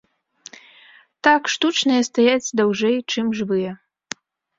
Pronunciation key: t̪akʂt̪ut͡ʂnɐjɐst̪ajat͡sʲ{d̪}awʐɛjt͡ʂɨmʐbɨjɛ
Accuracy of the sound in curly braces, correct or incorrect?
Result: correct